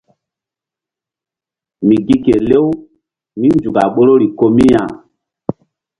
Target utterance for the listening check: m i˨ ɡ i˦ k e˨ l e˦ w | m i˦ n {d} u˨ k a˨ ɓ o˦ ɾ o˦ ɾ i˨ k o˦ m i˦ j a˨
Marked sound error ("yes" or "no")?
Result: yes